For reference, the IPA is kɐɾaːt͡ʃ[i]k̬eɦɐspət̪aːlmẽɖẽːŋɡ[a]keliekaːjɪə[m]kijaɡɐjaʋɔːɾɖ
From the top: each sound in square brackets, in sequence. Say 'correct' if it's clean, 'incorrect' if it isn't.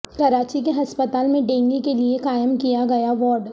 correct, incorrect: i, correct

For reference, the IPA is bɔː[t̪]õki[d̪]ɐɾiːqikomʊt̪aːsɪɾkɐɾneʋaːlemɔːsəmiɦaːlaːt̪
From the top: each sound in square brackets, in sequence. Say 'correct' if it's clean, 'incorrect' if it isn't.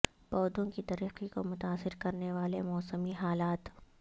incorrect: d̪, incorrect: t̪

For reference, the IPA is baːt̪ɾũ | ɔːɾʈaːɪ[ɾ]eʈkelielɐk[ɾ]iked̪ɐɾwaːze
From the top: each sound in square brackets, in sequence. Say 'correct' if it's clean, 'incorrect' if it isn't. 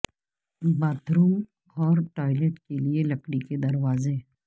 incorrect: l, incorrect: ɽ

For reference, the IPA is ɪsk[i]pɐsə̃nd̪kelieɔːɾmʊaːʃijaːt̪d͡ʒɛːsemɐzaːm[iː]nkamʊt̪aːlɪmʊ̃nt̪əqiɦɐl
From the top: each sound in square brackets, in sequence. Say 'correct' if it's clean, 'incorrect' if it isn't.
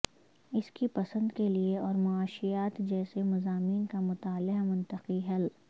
correct, correct

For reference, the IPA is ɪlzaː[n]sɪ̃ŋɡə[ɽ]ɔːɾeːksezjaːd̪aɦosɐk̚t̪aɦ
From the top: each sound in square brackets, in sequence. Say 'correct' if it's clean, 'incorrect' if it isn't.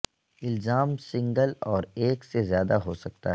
incorrect: m, incorrect: l

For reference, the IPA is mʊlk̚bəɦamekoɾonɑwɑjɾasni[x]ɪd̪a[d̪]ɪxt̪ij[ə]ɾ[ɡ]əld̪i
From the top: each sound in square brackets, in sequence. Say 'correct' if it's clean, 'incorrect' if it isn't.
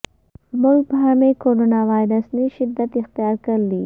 incorrect: ʃ, incorrect: t̪, incorrect: ɑ, incorrect: k

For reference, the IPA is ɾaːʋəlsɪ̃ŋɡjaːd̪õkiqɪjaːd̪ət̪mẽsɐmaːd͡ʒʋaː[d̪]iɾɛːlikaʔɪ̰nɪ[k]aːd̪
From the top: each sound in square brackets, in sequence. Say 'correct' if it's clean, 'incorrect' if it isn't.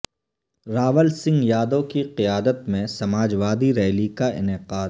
correct, incorrect: q

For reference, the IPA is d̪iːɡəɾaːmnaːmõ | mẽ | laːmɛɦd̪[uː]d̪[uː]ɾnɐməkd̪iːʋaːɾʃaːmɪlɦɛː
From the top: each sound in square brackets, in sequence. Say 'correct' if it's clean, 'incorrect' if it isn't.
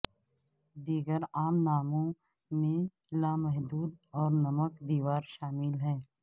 correct, incorrect: ɔː

